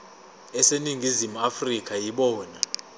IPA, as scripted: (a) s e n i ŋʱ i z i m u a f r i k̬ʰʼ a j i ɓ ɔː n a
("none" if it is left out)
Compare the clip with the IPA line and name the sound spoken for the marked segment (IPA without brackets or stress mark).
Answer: ɛ